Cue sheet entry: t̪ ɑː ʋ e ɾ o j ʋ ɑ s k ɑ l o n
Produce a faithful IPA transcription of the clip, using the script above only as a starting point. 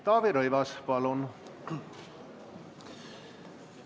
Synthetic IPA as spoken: t̪ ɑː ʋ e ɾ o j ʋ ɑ s p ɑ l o n